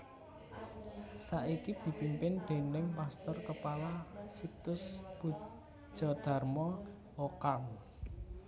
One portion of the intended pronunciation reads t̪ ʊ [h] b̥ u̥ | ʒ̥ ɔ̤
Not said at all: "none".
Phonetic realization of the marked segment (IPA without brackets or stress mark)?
s